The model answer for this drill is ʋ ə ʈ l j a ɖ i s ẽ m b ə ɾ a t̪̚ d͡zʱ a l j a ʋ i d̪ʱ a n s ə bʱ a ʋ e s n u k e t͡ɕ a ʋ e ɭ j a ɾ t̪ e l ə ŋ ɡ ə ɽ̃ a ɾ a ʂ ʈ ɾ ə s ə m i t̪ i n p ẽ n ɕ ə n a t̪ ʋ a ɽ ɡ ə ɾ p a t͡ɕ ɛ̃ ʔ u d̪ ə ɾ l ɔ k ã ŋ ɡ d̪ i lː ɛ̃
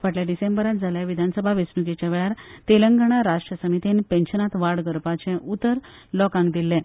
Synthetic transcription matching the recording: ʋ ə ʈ l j a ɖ i s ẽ m b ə ɾ a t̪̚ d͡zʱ a l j a ʋ i d̪ʱ a n s ə bʱ a ʋ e s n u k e t͡ɕ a ʋ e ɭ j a ɾ t̪ e l ə ŋ ɡ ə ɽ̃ a ɾ a ʂ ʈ ɾ ə s ə m i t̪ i n p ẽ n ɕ ə n a t̪ ʋ a ɽ ɡ ə ɾ p a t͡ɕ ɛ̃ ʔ u t̪ ə ɾ l ɔ k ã ŋ ɡ d̪ i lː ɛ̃